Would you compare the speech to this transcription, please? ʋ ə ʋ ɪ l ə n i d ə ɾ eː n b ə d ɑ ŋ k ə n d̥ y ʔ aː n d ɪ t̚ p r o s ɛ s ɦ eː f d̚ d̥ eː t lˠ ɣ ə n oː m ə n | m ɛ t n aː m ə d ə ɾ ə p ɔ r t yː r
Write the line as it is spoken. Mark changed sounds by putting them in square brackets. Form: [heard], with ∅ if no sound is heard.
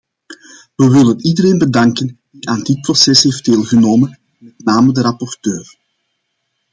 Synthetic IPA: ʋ ə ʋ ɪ l ə n i d ə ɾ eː n b ə d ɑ ŋ k ə n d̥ [i] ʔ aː n d ɪ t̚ p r o s ɛ s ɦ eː f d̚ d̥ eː [∅] lˠ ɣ ə n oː m ə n | m ɛ t n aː m ə d ə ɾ [ɑ] p ɔ r t [øː] r

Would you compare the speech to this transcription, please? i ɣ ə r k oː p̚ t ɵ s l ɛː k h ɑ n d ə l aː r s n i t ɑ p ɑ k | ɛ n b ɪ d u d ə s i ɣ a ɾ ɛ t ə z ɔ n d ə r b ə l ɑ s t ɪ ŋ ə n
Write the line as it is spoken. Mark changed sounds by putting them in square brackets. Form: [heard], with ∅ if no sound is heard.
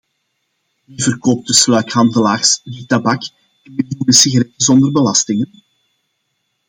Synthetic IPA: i [v] ə r k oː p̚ t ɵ s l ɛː k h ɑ n d ə l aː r s [d] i t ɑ [b] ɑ k | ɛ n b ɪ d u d ə s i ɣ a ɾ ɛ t ə z ɔ n d ə r b ə l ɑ s t ɪ ŋ ə n

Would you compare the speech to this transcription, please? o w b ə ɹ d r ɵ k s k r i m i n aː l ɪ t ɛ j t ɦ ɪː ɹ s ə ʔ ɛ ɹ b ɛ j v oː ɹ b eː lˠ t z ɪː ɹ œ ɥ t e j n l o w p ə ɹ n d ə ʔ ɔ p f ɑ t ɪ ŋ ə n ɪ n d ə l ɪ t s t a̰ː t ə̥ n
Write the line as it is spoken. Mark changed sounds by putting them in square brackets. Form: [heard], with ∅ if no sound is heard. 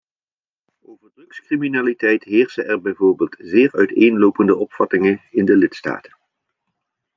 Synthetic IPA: o w [v] ə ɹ d r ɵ k s k r i m i n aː l [i] t ɛ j t ɦ ɪː ɹ s ə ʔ ɛ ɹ b ɛ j v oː ɹ b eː lˠ t z ɪː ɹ œ ɥ t e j n l o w p ə [∅] n d ə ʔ ɔ p f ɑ t ɪ ŋ ə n ɪ n d ə l ɪ t s t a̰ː t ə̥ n

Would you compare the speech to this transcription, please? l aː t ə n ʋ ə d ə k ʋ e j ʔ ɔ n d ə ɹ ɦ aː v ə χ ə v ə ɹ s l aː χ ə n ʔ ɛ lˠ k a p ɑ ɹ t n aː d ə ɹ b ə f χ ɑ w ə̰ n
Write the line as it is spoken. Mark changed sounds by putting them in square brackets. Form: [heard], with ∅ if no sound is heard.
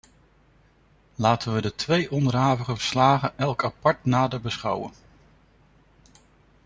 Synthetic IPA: l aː t ə n ʋ ə d ə [t] ʋ e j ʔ ɔ n d ə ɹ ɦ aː v ə χ ə v ə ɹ s l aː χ ə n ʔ ɛ lˠ k a p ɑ ɹ t n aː d ə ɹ b ə [s] χ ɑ w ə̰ n

